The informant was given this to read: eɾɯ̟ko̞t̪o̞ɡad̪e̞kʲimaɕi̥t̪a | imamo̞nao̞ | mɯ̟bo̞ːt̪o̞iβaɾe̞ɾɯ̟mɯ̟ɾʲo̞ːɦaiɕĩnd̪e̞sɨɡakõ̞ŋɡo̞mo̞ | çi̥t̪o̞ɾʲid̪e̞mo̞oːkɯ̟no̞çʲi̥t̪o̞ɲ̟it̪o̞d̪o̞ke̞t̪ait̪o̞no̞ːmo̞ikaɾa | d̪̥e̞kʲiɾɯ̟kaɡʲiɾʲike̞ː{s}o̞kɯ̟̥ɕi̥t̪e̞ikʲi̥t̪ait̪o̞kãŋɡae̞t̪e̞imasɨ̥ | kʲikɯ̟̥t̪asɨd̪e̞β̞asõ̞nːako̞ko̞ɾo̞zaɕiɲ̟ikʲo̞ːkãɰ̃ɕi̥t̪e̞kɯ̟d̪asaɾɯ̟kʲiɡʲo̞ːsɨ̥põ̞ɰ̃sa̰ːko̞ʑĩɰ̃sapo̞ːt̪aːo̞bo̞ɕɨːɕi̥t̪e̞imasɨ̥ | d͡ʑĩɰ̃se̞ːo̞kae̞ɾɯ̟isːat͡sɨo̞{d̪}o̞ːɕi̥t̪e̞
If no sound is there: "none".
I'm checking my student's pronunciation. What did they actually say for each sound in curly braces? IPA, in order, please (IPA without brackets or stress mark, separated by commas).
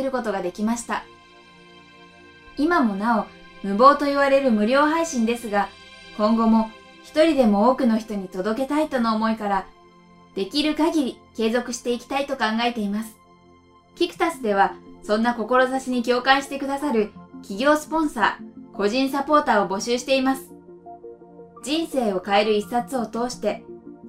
z, t̪